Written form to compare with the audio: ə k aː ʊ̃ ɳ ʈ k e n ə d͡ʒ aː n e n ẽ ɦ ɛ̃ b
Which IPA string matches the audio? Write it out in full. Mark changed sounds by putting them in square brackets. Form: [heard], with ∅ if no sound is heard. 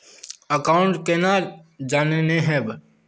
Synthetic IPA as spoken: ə k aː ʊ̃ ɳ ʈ k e n [a] d͡ʒ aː n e n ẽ ɦ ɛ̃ b